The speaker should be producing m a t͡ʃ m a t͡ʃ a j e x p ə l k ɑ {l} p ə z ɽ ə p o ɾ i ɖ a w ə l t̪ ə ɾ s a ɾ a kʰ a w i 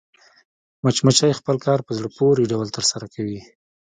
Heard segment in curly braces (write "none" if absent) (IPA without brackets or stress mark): ɾ